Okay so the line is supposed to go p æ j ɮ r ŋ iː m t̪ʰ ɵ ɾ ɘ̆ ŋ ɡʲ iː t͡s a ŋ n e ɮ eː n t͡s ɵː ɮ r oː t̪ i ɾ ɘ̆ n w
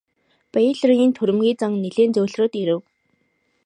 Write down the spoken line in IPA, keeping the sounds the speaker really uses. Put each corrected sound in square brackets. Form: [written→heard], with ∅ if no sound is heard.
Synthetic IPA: p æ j ɮ r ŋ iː [m→n] t̪ʰ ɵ ɾ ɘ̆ [ŋ→m] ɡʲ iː t͡s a ŋ n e ɮ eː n t͡s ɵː ɮ r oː t̪ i ɾ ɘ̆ [n→∅] w